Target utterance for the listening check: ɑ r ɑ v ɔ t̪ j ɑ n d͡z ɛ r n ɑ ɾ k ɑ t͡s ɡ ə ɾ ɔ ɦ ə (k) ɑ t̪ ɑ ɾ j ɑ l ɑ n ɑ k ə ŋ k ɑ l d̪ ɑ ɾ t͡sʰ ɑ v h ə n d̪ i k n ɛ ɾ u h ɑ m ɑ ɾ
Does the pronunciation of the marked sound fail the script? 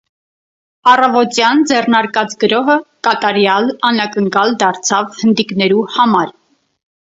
no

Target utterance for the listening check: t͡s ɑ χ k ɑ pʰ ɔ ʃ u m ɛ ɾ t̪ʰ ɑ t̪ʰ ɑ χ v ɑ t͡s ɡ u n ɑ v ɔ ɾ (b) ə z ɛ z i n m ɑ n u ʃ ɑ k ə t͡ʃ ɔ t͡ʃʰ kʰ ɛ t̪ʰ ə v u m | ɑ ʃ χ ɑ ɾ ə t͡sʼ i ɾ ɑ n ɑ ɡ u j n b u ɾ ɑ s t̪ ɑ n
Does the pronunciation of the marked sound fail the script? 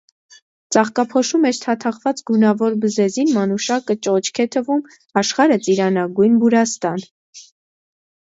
no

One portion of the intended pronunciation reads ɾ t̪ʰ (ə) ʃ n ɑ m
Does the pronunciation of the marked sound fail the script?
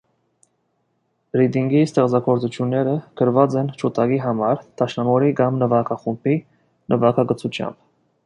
yes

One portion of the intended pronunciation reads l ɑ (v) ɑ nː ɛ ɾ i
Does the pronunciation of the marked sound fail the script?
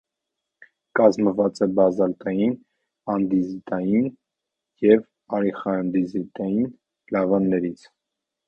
no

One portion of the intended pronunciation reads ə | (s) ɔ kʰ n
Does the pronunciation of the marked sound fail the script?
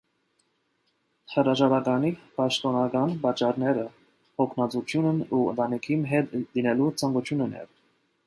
yes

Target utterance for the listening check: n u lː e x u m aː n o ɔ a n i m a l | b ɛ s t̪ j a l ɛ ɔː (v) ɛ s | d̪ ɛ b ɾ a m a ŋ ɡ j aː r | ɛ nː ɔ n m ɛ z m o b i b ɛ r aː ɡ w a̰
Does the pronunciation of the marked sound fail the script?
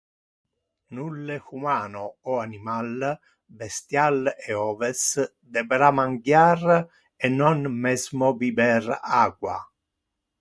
no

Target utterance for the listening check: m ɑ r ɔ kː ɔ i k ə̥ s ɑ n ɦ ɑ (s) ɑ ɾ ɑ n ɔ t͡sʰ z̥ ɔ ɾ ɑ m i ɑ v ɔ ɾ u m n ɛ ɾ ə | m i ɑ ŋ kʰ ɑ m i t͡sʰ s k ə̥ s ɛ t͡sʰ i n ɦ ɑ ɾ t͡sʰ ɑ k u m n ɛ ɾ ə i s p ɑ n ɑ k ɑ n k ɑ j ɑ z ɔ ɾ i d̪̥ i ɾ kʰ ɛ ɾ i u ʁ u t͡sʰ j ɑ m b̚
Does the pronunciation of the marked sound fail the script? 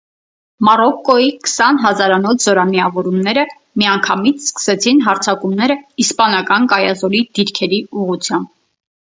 yes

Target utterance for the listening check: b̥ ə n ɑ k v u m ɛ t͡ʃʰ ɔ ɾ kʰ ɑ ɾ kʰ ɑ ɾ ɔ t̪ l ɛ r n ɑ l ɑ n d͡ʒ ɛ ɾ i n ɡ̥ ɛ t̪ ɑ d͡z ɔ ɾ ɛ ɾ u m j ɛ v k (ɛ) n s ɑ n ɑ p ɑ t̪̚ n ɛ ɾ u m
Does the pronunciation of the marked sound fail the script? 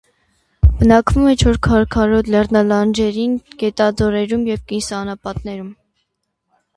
yes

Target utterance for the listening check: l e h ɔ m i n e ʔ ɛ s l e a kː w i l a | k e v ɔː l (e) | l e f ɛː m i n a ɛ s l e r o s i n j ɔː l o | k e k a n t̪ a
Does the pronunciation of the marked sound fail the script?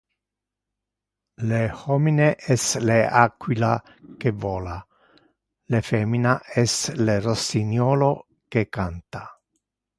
yes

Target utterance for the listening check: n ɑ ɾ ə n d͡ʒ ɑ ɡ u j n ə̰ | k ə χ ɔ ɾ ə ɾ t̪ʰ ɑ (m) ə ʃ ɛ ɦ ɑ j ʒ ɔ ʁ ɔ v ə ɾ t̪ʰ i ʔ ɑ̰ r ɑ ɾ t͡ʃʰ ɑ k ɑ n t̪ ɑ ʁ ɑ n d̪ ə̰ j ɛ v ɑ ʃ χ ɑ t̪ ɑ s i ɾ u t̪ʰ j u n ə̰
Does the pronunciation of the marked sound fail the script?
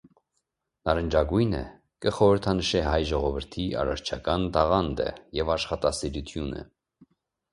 yes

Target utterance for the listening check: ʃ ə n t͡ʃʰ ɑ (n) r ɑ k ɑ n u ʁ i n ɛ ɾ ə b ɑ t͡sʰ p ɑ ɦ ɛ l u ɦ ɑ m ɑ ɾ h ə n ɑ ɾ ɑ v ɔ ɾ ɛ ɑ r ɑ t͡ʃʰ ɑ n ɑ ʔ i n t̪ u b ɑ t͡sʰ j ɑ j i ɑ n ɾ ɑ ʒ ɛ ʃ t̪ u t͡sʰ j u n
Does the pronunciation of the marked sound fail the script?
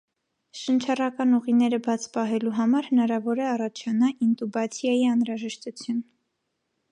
yes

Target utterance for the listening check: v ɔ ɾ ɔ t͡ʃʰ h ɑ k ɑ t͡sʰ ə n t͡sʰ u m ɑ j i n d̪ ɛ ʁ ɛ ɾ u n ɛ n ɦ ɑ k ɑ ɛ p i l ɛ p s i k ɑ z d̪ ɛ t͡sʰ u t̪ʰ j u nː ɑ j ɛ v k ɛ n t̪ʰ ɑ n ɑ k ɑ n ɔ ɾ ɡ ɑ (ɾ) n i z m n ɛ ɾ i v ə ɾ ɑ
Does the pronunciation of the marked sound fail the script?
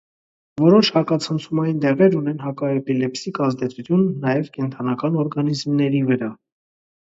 yes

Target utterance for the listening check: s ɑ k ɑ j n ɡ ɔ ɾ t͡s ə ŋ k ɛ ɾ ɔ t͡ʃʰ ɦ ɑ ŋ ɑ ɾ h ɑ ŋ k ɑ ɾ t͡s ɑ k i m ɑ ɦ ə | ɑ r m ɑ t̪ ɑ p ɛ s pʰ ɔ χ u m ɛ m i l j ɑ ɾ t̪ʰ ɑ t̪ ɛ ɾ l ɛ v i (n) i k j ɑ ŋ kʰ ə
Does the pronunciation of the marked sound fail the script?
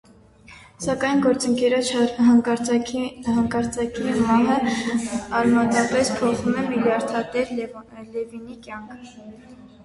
no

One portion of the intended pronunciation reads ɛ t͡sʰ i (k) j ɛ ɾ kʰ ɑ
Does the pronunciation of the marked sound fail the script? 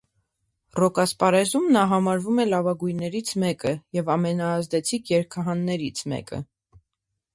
yes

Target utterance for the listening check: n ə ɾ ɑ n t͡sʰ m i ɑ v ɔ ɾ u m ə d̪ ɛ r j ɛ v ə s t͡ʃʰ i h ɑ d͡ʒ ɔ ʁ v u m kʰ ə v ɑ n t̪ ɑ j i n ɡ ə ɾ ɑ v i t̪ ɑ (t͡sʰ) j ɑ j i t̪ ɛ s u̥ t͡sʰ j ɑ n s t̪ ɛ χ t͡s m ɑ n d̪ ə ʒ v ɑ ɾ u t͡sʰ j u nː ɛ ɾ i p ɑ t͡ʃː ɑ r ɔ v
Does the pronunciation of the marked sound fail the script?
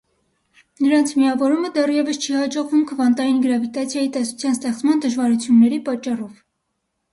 no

